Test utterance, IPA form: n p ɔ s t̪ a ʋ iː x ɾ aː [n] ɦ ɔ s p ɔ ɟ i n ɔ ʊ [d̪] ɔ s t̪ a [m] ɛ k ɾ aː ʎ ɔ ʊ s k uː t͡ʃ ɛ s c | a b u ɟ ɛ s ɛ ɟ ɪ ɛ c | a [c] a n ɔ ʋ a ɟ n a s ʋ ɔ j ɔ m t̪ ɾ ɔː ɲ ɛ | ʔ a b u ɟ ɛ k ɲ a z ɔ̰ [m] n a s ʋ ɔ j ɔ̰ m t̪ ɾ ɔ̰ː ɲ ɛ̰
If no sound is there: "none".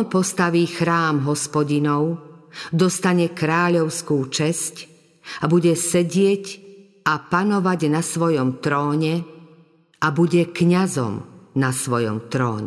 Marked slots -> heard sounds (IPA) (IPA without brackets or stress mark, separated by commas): m, d̪, ɲ, p, m